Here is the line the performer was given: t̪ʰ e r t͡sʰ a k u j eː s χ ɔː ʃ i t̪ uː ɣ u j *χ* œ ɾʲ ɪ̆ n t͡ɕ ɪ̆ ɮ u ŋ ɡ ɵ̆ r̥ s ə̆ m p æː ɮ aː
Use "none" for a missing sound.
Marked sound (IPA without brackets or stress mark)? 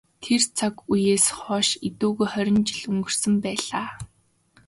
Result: χ